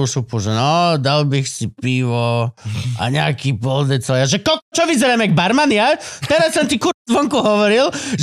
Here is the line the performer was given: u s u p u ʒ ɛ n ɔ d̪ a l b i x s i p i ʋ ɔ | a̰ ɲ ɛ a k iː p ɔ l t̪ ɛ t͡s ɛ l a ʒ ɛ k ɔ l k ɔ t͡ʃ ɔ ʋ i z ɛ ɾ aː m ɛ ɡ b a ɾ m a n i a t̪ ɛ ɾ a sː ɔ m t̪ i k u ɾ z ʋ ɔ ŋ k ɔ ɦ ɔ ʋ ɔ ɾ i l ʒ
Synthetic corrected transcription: u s u p u ʒ ɛ n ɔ d̪ a l b i x s i p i ʋ ɔ | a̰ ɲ ɛ a k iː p ɔ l d̪ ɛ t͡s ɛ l a ʒ ɛ k ɔ l k ɔ t͡ʃ ɔ ʋ i z ɛ ɾ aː m ɛ ɡ b a ɾ m a n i a t̪ ɛ ɾ a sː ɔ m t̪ i k u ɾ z ʋ ɔ ŋ k u ɦ ɔ ʋ ɔ ɾ i l ʒ